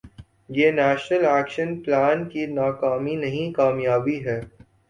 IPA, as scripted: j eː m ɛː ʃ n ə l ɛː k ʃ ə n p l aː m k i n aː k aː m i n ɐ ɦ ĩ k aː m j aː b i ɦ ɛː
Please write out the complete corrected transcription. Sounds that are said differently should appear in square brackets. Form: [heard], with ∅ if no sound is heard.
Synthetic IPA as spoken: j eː [n] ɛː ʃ n ə l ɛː k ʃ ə n p l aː [n] k i n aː k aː m i n ɐ ɦ ĩ k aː m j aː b i ɦ ɛː